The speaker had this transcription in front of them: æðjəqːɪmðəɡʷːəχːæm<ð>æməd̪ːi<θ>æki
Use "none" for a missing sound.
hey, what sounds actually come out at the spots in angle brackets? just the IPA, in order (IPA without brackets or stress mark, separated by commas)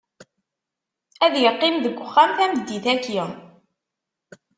θ, θ